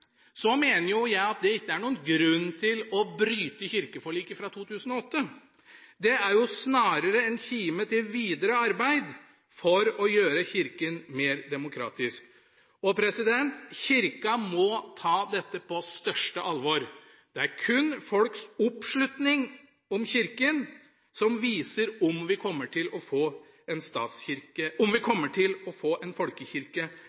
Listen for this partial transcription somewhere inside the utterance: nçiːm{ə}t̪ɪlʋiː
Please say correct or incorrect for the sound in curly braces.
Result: correct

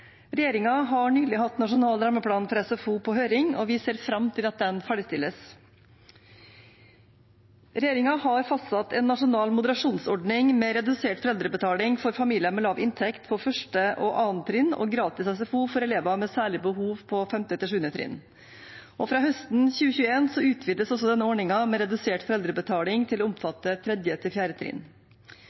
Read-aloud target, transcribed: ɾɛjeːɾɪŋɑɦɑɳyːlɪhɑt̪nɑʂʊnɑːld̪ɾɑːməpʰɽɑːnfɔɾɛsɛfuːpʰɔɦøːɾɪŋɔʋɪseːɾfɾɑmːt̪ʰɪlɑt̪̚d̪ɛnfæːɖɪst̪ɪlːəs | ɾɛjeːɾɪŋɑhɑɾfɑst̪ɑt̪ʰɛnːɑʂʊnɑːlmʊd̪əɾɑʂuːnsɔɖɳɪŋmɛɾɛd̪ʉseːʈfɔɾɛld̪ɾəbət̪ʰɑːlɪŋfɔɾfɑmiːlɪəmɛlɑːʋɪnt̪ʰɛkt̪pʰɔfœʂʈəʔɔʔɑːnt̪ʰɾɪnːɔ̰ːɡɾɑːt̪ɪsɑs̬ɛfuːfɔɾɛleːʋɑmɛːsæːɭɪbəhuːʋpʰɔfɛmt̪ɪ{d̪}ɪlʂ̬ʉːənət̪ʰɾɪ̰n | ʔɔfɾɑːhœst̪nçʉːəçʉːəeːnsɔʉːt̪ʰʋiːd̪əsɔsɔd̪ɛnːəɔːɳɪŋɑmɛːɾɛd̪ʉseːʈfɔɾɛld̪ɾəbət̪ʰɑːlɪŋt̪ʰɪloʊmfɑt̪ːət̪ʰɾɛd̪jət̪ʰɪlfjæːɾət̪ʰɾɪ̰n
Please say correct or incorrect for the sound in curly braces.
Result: incorrect: t̪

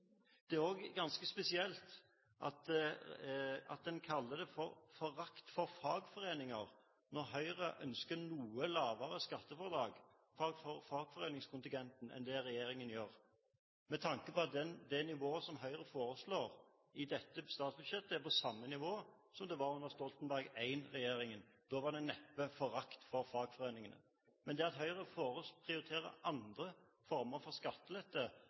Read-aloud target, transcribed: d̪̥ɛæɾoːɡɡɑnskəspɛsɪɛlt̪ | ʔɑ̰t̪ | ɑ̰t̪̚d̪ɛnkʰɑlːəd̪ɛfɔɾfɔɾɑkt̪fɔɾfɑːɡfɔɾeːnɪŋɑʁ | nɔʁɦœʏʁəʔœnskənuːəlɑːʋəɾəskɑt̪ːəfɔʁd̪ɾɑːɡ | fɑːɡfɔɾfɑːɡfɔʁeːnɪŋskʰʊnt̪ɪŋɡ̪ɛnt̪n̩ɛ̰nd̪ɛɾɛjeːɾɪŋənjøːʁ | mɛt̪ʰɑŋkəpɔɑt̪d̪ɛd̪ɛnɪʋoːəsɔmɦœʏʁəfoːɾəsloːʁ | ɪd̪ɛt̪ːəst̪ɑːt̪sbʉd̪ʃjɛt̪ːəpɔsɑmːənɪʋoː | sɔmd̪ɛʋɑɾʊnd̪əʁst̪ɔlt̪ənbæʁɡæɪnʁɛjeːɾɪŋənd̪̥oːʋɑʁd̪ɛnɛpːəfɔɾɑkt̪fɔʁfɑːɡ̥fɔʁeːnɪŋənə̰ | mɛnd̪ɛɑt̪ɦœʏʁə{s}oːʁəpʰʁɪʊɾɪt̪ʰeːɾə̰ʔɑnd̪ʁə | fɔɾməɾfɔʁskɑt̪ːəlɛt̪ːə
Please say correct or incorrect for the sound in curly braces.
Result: incorrect: f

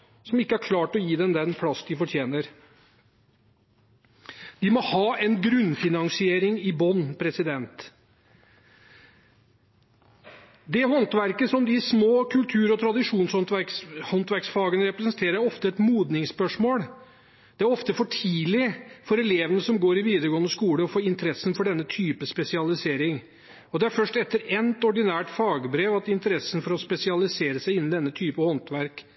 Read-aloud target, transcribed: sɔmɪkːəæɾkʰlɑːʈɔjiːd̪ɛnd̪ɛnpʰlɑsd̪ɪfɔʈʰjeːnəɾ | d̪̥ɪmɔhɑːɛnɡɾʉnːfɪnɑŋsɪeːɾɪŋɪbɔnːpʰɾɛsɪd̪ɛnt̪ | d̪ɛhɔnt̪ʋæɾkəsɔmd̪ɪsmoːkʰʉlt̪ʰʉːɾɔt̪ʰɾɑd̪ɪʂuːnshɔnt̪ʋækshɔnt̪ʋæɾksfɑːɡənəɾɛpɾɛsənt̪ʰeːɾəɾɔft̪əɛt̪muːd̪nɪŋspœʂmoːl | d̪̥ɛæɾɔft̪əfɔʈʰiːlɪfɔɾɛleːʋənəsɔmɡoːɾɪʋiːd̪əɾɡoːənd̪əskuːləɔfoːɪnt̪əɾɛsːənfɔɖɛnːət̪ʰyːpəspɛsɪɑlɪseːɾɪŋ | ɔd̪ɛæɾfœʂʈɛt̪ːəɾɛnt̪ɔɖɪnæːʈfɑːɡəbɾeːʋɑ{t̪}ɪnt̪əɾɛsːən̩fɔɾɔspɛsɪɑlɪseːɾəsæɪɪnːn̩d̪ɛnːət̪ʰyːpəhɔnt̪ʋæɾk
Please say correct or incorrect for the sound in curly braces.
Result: correct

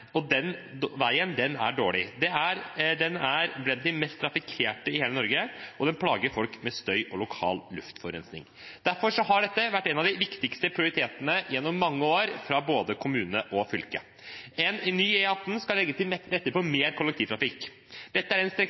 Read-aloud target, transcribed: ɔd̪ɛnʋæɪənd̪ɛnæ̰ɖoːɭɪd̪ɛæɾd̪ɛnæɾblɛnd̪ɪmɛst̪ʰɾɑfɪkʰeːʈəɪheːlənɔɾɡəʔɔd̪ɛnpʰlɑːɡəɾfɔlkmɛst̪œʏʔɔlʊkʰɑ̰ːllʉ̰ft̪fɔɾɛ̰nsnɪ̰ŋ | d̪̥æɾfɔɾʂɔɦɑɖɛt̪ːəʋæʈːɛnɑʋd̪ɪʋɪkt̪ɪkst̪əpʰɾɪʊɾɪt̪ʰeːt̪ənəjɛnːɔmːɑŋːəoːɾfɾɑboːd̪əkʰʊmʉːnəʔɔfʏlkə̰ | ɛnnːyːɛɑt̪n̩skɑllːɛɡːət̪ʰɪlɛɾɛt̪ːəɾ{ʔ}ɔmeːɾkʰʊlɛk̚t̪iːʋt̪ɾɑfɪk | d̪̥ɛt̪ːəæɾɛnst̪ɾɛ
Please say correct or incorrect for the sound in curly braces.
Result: incorrect: p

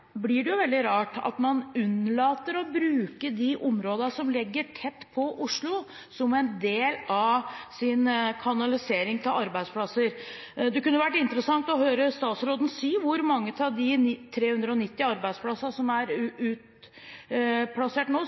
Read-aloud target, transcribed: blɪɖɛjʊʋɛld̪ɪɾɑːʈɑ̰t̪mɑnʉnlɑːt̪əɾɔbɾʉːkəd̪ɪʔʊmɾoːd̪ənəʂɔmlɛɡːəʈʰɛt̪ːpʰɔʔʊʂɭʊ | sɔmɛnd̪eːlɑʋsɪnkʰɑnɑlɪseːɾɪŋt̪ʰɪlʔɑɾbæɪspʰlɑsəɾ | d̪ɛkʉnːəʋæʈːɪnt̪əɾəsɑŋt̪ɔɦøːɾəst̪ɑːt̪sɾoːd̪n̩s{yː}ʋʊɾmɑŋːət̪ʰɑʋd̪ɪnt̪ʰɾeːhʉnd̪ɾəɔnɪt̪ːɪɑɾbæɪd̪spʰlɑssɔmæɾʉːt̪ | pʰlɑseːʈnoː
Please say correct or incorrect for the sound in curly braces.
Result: incorrect: iː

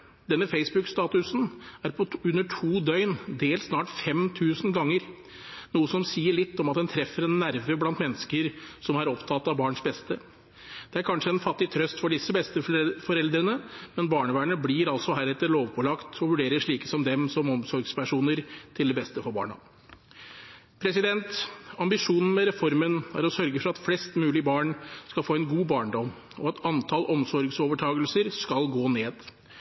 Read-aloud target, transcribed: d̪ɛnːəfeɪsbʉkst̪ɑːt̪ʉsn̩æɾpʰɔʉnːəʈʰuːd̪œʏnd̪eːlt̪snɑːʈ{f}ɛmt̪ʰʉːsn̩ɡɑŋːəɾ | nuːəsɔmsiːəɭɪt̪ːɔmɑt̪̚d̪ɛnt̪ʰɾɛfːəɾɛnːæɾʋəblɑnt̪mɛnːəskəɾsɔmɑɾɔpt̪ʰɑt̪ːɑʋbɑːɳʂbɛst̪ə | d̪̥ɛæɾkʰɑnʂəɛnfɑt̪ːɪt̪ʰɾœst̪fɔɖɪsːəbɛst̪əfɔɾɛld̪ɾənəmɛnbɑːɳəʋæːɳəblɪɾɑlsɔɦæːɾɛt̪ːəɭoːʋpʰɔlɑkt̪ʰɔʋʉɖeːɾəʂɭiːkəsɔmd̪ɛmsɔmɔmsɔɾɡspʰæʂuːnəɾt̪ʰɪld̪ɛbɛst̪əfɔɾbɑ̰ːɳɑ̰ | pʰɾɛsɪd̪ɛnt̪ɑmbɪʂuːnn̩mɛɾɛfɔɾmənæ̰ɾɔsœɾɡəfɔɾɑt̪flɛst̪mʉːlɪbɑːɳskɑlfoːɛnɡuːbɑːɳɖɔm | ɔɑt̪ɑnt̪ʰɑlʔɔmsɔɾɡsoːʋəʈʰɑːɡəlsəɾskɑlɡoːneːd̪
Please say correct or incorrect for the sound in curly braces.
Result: correct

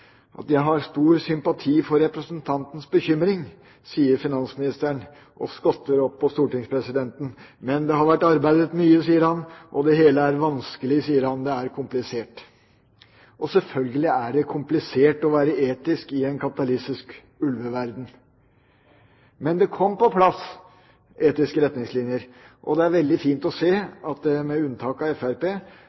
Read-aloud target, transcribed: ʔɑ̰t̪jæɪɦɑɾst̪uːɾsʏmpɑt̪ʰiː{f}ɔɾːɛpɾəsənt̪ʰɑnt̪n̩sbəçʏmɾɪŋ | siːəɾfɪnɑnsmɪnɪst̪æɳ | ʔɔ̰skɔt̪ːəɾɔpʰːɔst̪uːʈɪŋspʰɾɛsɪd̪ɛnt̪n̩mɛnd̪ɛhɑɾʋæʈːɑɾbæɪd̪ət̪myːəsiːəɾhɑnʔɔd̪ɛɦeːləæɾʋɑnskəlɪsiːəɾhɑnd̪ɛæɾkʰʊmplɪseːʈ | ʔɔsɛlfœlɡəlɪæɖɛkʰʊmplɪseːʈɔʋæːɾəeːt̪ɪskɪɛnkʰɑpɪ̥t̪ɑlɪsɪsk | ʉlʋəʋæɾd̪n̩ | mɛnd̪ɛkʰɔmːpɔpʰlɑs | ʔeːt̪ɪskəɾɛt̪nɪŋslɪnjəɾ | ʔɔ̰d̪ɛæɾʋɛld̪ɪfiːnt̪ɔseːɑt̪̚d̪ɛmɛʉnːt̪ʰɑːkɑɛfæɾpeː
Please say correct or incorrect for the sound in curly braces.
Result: correct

